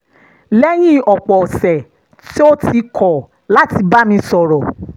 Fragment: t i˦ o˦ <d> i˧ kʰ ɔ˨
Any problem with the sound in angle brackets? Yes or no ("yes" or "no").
yes